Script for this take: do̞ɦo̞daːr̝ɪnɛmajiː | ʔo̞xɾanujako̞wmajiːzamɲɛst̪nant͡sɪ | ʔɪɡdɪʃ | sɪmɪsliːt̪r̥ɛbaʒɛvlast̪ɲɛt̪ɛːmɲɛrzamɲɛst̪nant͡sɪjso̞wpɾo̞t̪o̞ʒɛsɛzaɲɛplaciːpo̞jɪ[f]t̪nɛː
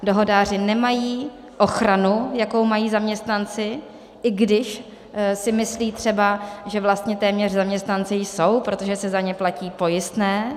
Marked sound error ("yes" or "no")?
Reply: yes